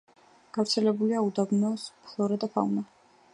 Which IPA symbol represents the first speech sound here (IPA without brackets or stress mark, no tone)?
ɡ̥